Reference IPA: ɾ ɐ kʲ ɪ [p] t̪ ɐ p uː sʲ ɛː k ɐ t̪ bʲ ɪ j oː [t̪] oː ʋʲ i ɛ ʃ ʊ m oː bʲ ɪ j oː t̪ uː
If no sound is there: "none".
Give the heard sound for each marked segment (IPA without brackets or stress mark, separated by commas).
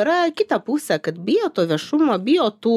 none, t̪